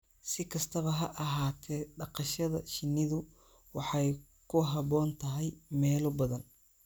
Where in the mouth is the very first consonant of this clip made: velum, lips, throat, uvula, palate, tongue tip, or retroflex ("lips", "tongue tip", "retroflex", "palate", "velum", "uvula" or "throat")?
tongue tip